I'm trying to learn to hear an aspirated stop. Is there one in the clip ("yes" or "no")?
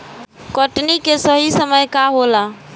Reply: no